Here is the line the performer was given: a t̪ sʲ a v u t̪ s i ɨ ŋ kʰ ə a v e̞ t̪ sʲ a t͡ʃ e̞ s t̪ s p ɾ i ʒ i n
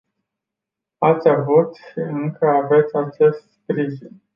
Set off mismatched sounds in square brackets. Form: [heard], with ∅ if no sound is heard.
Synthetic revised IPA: a t̪ sʲ a v u t̪ [ʃ] i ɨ ŋ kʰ ə a v e̞ t̪ sʲ a t͡ʃ e̞ s t̪ s p ɾ i ʒ i n